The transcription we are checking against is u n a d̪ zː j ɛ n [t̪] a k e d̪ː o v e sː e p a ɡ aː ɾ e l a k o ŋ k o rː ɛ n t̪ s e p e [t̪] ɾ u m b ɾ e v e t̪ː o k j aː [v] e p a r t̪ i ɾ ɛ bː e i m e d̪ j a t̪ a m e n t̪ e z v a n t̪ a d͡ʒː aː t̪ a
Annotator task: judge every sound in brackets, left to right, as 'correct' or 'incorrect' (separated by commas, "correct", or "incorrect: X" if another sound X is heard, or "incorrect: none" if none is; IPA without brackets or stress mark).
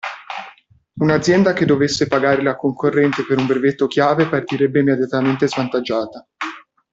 incorrect: d̪, incorrect: none, correct